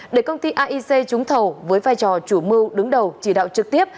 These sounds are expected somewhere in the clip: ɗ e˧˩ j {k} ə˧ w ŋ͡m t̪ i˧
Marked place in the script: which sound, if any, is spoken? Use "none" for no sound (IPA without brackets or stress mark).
k